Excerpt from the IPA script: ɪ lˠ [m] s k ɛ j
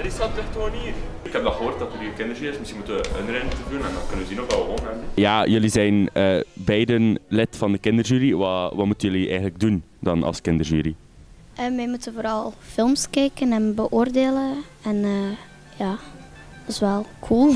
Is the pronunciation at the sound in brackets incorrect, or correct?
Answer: correct